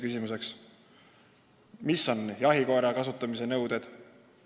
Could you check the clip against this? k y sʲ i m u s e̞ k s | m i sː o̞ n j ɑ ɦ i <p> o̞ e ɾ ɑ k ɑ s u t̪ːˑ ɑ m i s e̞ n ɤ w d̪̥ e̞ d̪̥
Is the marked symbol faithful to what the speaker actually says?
no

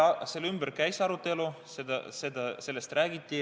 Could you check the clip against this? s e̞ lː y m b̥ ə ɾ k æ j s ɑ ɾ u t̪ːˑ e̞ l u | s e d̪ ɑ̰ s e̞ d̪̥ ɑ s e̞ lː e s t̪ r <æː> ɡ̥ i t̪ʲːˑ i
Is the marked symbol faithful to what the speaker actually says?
yes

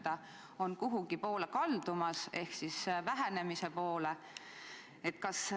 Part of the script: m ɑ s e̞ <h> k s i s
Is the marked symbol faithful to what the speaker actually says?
yes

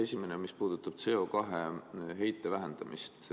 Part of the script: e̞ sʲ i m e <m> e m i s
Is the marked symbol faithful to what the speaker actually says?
no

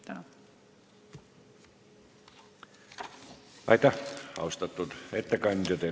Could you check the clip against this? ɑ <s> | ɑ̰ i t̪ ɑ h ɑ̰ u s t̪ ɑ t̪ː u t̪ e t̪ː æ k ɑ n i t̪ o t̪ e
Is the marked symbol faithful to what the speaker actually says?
no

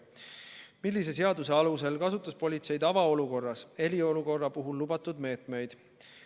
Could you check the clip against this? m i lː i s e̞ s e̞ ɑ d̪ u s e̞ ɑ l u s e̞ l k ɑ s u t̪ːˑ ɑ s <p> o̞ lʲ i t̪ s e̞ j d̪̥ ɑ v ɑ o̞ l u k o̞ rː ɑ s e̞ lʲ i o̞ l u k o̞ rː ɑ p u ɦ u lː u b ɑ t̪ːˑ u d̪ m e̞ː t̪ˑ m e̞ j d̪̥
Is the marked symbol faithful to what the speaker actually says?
yes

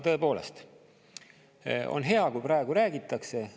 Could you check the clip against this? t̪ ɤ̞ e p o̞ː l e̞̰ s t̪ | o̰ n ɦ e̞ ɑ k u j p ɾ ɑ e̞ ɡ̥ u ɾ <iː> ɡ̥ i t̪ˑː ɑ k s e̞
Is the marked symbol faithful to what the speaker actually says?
no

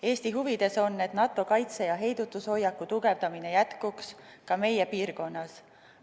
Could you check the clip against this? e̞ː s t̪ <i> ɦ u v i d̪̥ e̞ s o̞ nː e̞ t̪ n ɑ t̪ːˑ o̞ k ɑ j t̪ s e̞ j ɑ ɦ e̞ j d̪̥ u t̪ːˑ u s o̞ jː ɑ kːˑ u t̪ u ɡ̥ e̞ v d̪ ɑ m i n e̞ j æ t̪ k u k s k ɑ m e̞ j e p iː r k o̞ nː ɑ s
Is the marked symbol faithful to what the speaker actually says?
yes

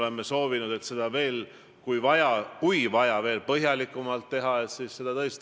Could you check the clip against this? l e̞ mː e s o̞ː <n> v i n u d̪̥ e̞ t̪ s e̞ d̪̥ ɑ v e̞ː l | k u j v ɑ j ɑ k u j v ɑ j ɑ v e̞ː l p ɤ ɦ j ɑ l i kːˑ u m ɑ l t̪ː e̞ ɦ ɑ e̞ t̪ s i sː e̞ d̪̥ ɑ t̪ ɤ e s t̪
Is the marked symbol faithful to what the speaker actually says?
no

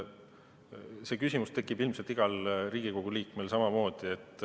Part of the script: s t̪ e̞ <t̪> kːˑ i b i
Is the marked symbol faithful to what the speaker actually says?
no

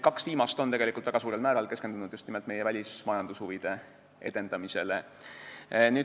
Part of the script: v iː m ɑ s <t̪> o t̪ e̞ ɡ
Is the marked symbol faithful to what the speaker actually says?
yes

